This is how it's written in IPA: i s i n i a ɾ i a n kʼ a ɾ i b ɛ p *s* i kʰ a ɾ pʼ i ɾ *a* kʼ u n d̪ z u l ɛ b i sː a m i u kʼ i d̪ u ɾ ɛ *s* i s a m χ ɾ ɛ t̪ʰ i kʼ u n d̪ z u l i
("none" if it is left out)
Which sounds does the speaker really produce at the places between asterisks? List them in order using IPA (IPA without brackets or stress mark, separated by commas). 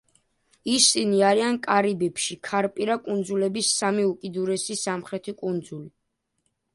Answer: ʃ, a, s